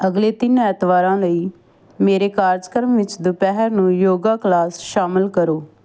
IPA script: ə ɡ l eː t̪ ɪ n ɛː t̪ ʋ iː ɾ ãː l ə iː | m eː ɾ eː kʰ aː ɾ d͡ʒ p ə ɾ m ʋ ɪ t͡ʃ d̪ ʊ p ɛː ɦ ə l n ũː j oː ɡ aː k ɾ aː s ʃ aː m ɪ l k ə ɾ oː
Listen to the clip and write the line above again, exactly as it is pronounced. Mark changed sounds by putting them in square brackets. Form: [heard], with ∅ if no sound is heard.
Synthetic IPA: ə ɡ l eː t̪ ɪ n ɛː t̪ ʋ [aː] ɾ ãː l ə iː | m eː ɾ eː [k] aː ɾ d͡ʒ [k] ə ɾ m ʋ ɪ t͡ʃ d̪ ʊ p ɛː ɦ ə [ɾ] n ũː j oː ɡ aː k [l] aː s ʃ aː m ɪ l k ə ɾ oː